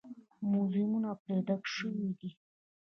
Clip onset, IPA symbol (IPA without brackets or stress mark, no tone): m